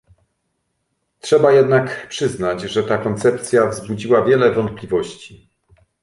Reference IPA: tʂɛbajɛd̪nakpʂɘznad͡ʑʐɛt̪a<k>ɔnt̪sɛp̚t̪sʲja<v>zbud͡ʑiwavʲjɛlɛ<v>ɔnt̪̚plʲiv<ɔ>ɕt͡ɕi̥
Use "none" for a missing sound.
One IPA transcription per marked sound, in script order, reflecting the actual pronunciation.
k, v, v, ɔ

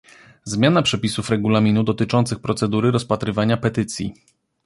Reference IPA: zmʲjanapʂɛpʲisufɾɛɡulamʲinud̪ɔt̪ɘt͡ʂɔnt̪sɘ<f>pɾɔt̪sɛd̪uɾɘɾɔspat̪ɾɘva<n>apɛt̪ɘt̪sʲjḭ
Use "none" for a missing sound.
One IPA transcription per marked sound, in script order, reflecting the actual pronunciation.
x, ɲ

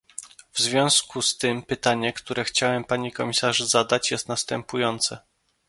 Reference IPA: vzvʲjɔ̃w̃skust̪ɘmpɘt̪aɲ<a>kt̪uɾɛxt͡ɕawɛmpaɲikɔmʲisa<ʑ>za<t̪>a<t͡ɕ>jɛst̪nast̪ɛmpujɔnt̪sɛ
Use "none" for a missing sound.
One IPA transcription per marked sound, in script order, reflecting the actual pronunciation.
ɛ, ʐ, d̪, t͡ɕ

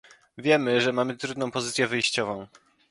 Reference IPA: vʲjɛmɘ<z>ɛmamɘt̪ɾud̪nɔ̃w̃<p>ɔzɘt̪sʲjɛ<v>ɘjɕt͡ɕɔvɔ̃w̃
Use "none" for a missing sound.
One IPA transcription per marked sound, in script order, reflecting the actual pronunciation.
ʐ, p, v

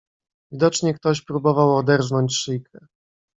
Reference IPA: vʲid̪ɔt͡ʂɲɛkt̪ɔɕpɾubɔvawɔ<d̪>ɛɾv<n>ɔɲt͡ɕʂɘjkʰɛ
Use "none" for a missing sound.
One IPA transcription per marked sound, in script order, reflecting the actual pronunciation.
d̪, n

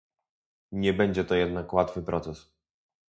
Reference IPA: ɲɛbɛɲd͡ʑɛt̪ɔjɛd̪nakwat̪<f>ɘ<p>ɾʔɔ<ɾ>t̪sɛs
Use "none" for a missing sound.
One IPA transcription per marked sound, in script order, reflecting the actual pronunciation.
f, p, none

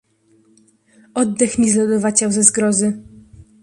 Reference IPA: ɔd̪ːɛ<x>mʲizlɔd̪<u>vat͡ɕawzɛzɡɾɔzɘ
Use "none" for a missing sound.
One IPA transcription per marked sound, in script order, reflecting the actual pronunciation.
x, ɔ

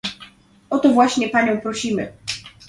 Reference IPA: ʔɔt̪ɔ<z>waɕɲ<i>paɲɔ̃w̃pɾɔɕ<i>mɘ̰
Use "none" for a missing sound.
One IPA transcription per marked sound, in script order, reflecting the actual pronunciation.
v, ɛ, i

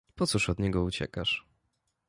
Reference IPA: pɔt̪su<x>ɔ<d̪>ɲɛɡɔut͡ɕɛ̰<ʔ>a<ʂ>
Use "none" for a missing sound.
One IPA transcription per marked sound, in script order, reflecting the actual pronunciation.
ʂ, d̪, k, ʂ

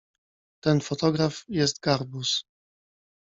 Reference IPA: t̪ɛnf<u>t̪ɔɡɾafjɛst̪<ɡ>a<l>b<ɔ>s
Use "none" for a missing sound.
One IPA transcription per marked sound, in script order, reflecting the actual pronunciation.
ɔ, ɡ, ɾ, u

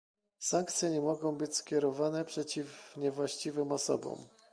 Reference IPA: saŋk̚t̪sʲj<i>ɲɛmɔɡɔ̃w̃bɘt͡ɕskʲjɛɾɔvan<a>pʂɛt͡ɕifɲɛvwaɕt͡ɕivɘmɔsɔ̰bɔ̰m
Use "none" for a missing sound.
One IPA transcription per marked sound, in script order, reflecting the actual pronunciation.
ɛ, ɛ

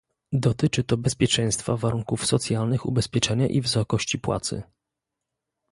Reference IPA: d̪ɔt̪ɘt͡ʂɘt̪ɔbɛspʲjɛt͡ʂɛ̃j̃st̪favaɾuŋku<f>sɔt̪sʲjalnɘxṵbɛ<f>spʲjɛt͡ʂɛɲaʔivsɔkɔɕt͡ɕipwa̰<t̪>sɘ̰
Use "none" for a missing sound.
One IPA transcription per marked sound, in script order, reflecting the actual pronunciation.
f, none, t̪

